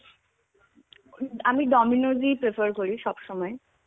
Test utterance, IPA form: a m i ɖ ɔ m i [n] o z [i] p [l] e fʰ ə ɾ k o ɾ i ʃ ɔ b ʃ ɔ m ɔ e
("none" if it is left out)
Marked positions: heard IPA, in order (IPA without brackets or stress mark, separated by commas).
n, i, ɾ